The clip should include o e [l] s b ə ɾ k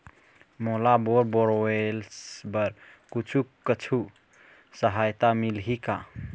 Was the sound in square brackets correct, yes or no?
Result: yes